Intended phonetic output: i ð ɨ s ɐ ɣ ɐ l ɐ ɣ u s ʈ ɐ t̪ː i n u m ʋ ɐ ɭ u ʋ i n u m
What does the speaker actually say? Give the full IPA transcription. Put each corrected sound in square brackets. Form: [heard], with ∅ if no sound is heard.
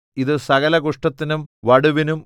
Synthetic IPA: i ð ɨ s ɐ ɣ ɐ l ɐ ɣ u [ʂ] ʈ ɐ t̪ː i n u m ʋ ɐ [ɽ] u ʋ i n u m